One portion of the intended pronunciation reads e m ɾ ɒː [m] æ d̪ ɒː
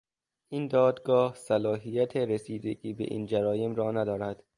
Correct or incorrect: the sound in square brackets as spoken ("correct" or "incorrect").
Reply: incorrect